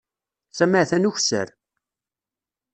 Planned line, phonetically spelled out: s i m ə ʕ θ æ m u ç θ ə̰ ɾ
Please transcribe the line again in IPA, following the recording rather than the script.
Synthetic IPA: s æ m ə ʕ θ æ n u ç s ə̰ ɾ